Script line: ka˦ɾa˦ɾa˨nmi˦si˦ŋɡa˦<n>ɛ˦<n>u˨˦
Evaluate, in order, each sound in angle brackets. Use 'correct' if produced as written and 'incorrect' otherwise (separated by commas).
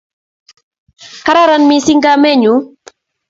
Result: incorrect, incorrect